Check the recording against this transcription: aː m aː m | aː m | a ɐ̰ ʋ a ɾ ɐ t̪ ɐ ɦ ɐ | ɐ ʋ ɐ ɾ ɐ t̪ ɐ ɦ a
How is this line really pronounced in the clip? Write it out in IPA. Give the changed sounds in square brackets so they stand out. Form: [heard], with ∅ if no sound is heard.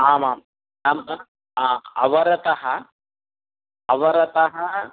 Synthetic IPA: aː m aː m | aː m | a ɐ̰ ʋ [ɐ] ɾ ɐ t̪ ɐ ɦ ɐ | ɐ ʋ ɐ ɾ ɐ t̪ ɐ ɦ [ɐ]